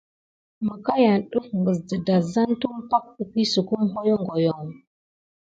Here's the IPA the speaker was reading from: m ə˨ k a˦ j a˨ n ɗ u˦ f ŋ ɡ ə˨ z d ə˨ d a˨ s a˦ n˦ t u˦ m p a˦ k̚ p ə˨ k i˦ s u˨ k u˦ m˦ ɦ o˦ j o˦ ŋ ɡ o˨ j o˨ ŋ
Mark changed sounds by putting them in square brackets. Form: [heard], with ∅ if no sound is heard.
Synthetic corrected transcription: m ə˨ k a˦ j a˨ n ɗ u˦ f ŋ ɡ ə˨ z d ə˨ d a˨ [z] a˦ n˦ t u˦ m p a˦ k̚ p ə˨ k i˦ s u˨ k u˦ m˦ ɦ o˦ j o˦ ŋ ɡ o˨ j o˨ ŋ